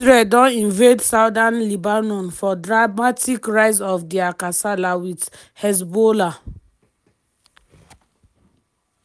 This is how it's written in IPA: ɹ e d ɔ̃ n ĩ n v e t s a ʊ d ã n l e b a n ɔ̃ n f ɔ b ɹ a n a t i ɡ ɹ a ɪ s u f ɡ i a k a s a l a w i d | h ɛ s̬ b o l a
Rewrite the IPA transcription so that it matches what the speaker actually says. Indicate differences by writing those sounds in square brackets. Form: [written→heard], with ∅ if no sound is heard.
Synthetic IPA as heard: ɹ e d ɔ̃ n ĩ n v e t s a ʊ d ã n l [e→i] b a n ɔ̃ n f ɔ [b→d] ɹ a [n→m] a t i [ɡ→k] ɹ a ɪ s [u→ɔ] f [ɡ→d] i a k a s a l a w i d | h ɛ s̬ b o l a